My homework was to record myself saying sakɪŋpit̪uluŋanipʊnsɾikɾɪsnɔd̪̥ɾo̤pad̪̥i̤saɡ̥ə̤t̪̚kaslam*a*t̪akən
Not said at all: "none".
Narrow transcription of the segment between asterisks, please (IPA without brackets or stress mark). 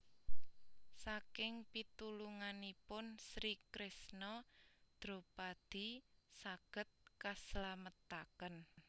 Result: ə